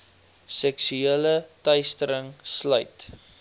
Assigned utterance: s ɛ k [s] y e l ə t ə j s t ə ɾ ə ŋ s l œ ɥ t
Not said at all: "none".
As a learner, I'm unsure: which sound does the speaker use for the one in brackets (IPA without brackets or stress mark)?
s